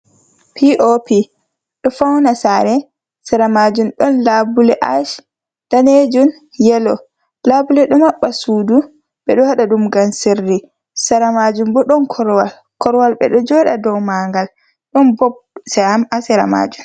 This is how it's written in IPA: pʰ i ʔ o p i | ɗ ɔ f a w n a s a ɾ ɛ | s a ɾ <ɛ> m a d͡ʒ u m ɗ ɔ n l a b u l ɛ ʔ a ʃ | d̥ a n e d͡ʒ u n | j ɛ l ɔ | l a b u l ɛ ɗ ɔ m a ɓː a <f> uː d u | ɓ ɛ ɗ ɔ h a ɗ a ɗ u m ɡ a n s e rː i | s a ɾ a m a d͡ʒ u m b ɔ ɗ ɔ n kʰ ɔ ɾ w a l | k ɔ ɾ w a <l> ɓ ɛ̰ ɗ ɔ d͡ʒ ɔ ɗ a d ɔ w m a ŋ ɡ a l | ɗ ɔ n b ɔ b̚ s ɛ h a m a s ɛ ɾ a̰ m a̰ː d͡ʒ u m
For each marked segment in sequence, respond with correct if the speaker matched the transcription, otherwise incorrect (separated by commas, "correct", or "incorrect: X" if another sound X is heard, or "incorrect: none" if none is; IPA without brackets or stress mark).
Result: incorrect: a, incorrect: s, correct